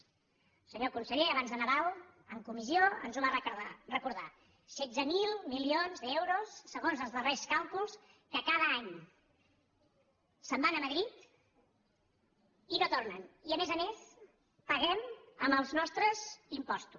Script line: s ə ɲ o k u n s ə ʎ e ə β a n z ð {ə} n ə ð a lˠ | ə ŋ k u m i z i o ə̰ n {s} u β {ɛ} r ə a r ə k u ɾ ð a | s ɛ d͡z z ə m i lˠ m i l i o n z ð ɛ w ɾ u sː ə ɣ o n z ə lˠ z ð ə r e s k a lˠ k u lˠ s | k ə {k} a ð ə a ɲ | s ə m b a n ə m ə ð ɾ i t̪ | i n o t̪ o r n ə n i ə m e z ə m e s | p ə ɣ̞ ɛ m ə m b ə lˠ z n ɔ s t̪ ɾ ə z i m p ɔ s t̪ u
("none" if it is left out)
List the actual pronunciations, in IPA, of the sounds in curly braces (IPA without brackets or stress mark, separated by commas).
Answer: ə, z, a, k